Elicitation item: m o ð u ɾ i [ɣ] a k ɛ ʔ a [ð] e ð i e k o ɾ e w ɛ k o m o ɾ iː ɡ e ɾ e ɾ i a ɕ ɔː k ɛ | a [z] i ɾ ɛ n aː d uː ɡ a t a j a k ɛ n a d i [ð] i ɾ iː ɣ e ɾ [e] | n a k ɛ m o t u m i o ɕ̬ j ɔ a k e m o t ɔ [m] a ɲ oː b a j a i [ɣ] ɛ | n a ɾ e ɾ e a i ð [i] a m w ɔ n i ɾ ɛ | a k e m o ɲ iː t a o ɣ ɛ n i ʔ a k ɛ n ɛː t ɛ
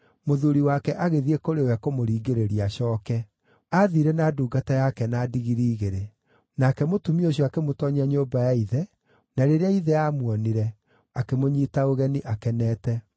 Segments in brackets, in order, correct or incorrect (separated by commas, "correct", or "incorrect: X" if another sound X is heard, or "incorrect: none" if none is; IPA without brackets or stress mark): incorrect: w, incorrect: ɣ, incorrect: ð, incorrect: ɣ, correct, incorrect: ɲ, incorrect: ð, incorrect: ɛ